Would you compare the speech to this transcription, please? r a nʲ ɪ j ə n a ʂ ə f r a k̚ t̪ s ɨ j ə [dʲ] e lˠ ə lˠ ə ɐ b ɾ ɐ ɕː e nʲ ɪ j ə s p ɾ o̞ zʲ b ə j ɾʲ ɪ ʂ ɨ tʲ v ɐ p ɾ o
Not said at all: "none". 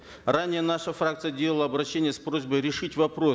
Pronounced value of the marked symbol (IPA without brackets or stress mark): dʲ